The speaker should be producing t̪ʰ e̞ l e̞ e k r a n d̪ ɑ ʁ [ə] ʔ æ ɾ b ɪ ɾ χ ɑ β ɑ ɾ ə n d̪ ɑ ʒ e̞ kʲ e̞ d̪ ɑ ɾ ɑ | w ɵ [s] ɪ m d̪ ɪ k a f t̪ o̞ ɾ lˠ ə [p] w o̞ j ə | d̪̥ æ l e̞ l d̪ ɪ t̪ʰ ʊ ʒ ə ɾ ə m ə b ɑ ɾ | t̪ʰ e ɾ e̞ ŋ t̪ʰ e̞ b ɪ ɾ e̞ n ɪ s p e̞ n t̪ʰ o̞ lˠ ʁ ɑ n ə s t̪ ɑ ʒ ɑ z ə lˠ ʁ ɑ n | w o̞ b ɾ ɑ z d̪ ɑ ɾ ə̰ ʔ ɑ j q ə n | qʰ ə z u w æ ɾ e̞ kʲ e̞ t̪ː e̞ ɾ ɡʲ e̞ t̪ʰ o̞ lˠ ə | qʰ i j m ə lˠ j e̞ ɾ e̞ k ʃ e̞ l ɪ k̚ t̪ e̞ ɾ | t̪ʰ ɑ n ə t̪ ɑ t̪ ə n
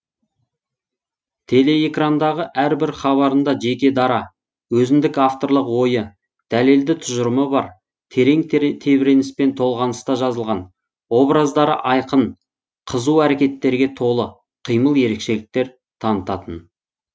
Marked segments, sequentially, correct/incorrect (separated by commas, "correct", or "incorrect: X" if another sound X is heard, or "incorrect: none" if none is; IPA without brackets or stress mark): correct, incorrect: z, incorrect: q